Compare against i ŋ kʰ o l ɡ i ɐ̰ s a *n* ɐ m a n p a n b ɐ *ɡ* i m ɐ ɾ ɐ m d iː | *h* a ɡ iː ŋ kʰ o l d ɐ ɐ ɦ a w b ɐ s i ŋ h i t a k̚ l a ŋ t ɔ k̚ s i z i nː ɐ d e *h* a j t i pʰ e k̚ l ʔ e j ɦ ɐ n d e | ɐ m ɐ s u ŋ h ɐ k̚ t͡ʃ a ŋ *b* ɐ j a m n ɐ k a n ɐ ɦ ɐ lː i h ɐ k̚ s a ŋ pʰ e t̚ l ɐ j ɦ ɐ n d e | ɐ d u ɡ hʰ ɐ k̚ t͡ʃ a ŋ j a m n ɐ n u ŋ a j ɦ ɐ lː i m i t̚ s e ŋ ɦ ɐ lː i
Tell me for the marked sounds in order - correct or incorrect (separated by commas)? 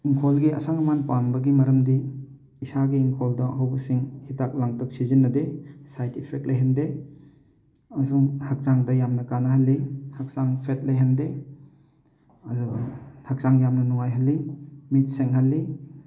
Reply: incorrect, correct, incorrect, incorrect, incorrect